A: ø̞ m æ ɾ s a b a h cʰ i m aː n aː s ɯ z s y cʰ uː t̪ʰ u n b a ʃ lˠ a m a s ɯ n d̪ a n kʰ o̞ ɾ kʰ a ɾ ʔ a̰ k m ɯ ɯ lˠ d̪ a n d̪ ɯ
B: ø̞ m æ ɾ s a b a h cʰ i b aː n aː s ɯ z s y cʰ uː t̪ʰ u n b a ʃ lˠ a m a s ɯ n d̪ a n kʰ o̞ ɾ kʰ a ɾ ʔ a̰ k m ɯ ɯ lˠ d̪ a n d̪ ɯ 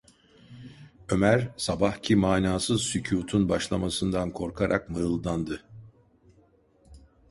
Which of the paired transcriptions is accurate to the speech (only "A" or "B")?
A